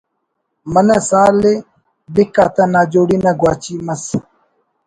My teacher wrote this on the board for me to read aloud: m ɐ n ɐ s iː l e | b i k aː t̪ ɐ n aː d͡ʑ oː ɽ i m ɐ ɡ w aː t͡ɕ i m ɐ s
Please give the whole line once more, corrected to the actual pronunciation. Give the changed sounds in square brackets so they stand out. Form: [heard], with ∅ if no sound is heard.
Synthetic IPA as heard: m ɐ n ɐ s [aː] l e | b i k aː t̪ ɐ n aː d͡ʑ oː ɽ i [n] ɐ ɡ w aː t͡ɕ i m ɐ s